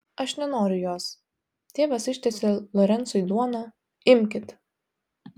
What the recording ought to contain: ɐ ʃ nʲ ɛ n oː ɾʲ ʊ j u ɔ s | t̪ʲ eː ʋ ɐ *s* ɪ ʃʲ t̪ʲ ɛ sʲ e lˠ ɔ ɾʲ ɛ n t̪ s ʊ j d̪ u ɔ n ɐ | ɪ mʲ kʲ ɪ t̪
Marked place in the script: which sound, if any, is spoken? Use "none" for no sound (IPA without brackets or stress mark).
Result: s